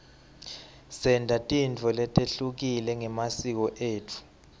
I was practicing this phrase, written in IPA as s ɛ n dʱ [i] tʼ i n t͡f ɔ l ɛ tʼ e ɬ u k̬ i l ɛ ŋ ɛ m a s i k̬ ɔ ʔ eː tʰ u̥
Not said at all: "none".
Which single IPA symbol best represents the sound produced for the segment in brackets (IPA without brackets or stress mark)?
a